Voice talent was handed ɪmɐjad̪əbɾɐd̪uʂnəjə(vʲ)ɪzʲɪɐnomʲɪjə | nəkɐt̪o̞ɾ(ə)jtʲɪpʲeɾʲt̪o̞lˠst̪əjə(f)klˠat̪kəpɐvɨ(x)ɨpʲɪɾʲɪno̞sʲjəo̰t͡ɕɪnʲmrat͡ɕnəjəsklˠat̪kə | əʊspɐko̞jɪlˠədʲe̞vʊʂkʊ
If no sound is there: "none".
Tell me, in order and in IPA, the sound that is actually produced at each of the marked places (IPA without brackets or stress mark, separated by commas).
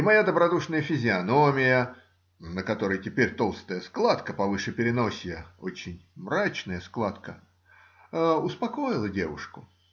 fʲ, ə, s, ʂ